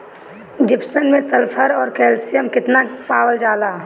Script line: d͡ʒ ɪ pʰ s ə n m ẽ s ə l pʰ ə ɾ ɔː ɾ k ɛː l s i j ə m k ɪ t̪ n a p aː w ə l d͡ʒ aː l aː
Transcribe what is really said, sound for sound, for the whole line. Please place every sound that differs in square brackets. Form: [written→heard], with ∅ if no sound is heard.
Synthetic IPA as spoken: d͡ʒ ɪ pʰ s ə n m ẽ s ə l pʰ ə ɾ ɔː ɾ k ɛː l s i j ə m k ɪ t̪ n a p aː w ə l d͡ʒ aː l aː